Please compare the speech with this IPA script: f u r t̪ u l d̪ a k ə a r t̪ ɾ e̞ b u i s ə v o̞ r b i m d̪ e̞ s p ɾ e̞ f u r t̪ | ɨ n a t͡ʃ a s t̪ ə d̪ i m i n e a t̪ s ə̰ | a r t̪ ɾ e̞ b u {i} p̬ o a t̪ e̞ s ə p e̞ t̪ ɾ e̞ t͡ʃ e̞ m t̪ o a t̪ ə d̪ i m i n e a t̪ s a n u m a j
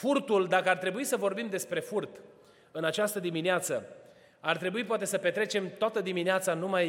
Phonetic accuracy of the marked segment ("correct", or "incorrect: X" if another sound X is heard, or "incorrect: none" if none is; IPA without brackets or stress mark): correct